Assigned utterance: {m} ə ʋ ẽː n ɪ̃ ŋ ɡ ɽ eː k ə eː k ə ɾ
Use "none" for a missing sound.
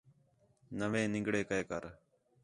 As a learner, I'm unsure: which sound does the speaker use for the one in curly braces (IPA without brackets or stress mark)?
n